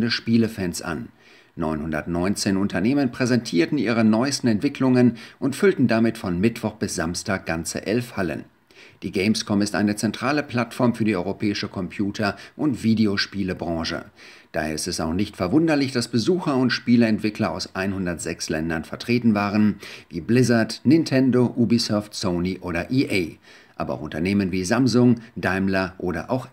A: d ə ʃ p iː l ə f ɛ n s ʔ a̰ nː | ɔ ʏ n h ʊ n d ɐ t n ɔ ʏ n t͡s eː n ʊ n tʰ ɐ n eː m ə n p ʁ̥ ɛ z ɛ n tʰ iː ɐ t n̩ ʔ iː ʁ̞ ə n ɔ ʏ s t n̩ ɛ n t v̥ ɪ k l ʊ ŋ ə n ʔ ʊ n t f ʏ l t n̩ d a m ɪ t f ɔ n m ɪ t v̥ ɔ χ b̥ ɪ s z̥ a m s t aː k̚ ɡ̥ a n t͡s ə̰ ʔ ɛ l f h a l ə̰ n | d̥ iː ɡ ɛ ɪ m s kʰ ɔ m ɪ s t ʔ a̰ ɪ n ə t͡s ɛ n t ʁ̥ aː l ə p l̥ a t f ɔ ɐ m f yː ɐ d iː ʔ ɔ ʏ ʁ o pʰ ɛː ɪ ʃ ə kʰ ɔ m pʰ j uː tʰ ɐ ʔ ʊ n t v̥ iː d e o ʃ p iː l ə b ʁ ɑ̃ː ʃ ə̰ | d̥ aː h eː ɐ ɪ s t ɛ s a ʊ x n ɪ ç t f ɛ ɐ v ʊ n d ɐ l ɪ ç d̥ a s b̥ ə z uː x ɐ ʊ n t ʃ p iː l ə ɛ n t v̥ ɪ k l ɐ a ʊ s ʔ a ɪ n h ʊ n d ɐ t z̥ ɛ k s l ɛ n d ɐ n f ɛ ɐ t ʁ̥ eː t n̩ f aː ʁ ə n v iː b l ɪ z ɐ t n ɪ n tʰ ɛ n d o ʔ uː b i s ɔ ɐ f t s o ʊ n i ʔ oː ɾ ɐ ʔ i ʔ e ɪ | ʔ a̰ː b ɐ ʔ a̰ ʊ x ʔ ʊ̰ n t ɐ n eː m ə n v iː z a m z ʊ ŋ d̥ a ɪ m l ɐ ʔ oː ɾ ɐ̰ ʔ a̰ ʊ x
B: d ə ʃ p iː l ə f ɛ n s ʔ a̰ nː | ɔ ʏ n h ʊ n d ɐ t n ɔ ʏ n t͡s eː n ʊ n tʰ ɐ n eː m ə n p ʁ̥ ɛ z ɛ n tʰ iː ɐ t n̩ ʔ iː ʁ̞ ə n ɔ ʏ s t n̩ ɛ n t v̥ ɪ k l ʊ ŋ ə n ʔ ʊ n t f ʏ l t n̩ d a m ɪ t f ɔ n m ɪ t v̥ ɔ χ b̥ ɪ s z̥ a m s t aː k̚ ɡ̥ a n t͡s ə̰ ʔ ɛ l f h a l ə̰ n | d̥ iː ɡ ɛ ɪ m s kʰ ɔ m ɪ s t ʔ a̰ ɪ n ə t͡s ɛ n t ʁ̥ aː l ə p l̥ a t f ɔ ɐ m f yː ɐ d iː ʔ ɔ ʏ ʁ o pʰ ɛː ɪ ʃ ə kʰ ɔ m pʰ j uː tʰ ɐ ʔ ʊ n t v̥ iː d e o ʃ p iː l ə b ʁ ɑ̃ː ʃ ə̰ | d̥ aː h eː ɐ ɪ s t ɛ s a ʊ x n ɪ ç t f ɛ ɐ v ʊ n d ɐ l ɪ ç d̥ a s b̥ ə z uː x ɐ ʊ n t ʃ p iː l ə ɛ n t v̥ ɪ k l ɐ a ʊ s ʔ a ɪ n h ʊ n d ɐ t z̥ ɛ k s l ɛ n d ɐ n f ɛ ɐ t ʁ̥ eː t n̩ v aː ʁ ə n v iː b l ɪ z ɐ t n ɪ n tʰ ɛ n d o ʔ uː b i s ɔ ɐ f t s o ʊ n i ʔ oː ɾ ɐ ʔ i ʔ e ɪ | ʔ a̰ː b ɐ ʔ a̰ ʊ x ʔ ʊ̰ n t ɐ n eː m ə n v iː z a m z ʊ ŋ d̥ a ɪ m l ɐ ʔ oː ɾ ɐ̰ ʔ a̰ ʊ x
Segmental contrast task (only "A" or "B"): B